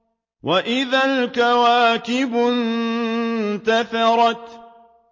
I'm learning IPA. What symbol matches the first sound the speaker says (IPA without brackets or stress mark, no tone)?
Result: w